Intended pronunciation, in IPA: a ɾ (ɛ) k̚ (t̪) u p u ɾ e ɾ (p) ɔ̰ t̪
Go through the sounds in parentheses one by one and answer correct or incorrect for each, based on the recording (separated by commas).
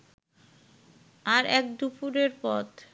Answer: correct, incorrect, correct